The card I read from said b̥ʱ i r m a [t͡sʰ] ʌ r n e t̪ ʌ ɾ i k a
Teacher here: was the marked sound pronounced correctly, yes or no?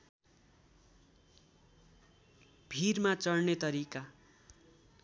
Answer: no